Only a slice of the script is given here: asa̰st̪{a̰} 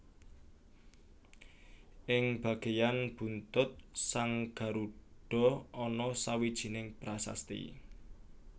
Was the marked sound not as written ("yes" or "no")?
yes